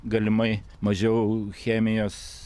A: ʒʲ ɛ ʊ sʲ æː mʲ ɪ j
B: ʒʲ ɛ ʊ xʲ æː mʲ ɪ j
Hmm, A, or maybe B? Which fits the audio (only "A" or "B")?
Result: B